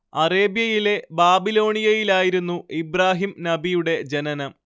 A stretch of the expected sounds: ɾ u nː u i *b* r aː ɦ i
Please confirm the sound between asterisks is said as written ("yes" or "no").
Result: yes